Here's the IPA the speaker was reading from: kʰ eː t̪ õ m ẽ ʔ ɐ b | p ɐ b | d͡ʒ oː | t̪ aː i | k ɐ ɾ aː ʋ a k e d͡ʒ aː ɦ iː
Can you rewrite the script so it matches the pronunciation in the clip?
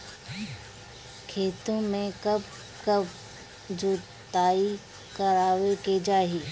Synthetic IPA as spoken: kʰ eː t̪ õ m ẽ k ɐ b | k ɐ b | d͡ʒ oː | t̪ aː i | k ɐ ɾ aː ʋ e k e d͡ʒ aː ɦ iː